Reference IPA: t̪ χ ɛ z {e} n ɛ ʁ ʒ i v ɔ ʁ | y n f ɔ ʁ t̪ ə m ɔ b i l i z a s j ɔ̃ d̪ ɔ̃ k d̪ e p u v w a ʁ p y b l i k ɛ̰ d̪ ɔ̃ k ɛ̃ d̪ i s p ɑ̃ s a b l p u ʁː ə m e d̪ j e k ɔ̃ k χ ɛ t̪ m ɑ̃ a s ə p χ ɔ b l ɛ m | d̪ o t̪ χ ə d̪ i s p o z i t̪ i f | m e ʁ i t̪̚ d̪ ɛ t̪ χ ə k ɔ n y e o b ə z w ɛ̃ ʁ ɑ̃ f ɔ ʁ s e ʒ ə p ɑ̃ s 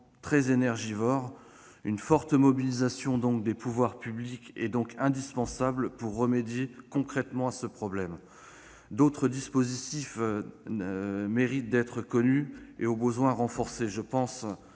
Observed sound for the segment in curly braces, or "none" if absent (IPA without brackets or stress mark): e